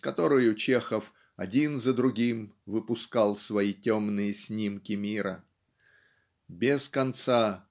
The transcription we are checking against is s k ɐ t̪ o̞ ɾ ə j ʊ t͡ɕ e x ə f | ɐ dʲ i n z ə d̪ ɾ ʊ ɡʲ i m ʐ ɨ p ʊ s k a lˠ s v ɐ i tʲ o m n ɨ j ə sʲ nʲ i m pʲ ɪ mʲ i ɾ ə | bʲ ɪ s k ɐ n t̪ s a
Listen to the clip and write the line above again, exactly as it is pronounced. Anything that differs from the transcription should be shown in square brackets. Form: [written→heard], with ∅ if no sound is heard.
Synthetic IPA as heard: s k ɐ t̪ o̞ ɾ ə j ʊ t͡ɕ e x ə f | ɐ dʲ i n z ə d̪ ɾ ʊ ɡʲ i m [ʐ→v] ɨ p ʊ s k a lˠ s v ɐ i tʲ o m n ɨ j ə sʲ nʲ i m [pʲ→kʲ] ɪ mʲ i ɾ ə | bʲ ɪ s k ɐ n t̪ s a

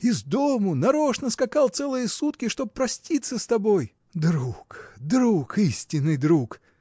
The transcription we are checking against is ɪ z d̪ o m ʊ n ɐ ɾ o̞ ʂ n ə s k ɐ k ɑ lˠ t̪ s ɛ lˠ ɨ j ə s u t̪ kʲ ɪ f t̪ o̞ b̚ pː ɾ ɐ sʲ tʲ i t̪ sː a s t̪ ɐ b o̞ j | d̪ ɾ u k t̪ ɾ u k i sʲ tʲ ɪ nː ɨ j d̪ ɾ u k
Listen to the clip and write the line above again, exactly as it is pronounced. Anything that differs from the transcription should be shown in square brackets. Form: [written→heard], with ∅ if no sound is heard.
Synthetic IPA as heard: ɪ z d̪ o m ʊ n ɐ ɾ o̞ ʂ n ə s k ɐ k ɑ lˠ t̪ s ɛ lˠ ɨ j ə s u t̪ kʲ ɪ [f→ʂ] t̪ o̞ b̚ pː ɾ ɐ sʲ tʲ i t̪ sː [a→ə] s t̪ ɐ b o̞ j | d̪ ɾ u k [t̪→d̪] ɾ u k i sʲ tʲ ɪ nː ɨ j d̪ ɾ u k

